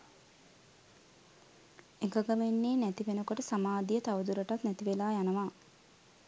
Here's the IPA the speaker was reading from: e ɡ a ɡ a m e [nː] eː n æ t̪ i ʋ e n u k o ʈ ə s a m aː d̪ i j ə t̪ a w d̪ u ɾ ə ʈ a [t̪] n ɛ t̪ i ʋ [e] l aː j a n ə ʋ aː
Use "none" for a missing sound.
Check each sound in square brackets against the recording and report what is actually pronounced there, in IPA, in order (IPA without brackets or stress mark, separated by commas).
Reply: nː, t̪, e